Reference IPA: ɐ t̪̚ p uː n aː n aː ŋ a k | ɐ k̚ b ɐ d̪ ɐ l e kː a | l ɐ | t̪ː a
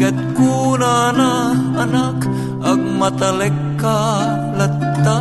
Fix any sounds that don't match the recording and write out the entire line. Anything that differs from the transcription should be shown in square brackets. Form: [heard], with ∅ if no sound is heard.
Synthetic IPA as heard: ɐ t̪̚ [k] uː n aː n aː [n] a k | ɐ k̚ [m] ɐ [t̪] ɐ l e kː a | l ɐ | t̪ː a